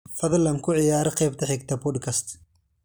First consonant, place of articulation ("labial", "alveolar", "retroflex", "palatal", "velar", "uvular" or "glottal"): labial